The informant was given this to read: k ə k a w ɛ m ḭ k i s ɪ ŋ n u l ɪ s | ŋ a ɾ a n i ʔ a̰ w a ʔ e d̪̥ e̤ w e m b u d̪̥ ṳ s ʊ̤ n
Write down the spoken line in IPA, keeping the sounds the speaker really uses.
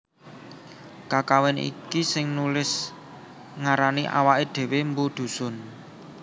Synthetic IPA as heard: k a k a w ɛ n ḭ k i s ɪ ŋ n u l ɪ s | ŋ a ɾ a n i ʔ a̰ w a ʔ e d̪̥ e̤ w e m b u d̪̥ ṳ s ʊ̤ n